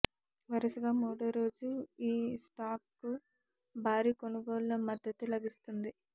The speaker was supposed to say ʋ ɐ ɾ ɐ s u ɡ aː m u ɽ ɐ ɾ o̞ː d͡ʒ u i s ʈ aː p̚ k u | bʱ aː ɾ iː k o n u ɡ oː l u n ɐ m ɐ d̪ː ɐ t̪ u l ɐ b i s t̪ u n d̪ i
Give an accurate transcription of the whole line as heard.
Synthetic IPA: ʋ ɐ ɾ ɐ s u ɡ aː m uː ɽ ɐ ɾ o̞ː d͡ʒ u iː s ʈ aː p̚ k u | bʱ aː ɾ iː k o n u ɡ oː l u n ɐ m ɐ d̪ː ɐ t̪ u l ɐ b i s t̪ u n d̪ i